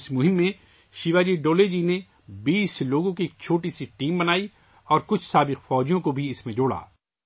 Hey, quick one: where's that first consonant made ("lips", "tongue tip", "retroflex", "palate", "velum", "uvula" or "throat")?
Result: tongue tip